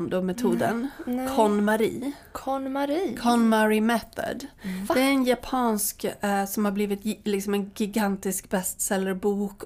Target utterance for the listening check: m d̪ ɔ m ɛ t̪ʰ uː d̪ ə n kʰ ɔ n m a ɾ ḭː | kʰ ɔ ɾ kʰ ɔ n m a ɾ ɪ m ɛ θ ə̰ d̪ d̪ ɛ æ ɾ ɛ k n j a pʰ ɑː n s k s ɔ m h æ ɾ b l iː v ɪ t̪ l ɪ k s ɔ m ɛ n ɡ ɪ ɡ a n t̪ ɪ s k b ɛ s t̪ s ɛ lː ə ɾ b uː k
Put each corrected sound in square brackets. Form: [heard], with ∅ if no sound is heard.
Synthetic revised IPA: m d̪ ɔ m ɛ t̪ʰ uː d̪ ə n kʰ ɔ n m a ɾ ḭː | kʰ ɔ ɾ kʰ ɔ n m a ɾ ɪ m ɛ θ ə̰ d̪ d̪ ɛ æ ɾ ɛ [∅] n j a pʰ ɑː n s k s ɔ m h [a] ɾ b l iː v ɪ t̪ l ɪ k s ɔ m ɛ n ɡ ɪ ɡ a n t̪ ɪ s k b ɛ s t̪ s ɛ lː ə ɾ b uː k